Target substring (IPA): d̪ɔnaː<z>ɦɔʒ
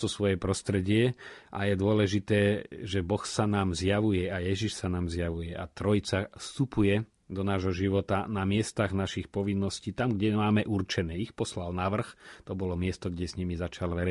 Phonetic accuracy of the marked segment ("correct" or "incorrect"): incorrect